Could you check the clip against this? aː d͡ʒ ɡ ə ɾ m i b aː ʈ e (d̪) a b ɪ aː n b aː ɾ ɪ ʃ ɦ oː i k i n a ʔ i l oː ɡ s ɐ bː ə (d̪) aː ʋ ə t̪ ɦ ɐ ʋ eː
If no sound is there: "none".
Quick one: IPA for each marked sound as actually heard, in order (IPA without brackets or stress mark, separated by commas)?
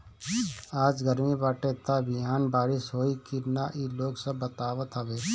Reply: t̪, t̪